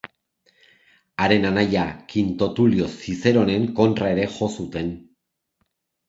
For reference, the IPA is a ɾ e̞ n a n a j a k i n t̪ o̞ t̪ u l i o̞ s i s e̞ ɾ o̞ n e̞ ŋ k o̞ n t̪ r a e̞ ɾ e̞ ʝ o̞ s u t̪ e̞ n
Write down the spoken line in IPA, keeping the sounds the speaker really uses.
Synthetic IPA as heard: a ɾ e̞ n a n a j a k i n t̪ o̞ t̪ u l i o̞ s i s e̞ ɾ o̞ n e̞ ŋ k o̞ n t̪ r a e̞ ɾ e̞ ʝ o̞ s u t̪ e̞ n